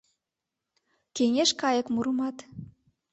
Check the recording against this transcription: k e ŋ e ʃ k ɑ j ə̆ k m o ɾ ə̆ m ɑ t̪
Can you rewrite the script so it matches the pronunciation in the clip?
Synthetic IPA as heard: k e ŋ e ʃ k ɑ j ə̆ k m u ɾ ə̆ m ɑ t̪